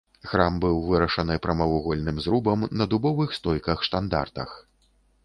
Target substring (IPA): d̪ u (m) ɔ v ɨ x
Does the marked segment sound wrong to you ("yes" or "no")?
yes